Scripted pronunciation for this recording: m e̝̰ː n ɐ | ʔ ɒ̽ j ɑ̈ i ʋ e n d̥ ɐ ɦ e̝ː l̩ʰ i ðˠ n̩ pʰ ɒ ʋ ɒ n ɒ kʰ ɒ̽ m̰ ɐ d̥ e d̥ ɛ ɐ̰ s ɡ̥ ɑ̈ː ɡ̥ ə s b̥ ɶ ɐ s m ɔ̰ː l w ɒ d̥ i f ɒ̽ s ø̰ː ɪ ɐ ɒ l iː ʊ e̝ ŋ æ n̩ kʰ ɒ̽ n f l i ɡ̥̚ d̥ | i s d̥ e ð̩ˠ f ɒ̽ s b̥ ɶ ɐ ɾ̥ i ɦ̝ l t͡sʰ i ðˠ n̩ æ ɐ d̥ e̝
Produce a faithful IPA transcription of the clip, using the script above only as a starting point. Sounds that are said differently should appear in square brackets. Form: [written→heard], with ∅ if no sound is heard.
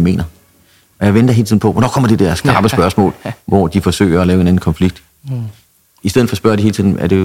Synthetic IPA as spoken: m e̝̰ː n ɐ | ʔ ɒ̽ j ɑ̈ [i→ɪ] ʋ e n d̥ ɐ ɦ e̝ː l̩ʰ i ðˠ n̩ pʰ ɒ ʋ ɒ n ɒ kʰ ɒ̽ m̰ ɐ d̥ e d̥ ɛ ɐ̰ s ɡ̥ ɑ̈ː [ɡ̥→b̥] ə s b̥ ɶ ɐ s m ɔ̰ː l [w→ʋ] ɒ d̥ i f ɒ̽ s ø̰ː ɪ ɐ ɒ l [iː→ɛː] ʊ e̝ [ŋ→n] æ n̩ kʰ ɒ̽ n f l i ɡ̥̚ d̥ | i s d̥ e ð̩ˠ f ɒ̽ s b̥ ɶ ɐ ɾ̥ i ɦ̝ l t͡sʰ i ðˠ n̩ æ ɐ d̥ e̝